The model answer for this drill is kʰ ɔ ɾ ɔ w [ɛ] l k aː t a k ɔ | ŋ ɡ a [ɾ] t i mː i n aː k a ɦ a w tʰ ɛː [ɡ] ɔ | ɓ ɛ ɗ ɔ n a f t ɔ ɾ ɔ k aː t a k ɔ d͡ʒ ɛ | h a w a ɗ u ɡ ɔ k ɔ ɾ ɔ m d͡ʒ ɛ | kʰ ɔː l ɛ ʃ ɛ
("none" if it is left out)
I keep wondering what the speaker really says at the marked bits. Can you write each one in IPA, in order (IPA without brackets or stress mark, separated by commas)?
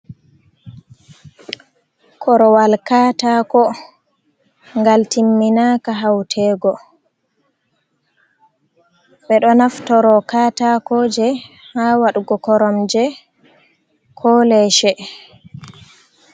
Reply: a, l, ɡ